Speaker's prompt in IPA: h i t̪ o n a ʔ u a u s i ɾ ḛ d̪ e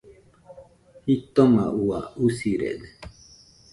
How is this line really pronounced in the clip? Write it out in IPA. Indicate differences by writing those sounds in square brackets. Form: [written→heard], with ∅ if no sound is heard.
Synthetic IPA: h i t̪ o [n→m] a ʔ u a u s i ɾ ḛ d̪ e